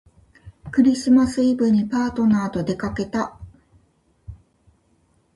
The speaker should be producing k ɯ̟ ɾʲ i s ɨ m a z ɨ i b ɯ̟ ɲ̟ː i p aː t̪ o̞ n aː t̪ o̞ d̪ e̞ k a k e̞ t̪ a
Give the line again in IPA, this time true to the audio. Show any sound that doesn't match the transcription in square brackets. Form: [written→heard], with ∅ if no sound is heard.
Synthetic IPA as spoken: k ɯ̟ ɾʲ i s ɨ m a [z→s] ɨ i b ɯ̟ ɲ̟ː i p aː t̪ o̞ n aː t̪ o̞ d̪ e̞ k a k e̞ t̪ a